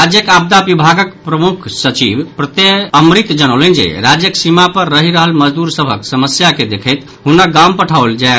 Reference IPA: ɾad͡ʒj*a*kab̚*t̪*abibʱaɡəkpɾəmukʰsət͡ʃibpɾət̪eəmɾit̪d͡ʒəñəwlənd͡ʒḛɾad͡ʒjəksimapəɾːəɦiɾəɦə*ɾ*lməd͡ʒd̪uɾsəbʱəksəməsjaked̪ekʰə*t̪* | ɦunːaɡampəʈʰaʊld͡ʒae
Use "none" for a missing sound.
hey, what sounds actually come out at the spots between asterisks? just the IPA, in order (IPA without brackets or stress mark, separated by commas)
ə, d̪, none, t̪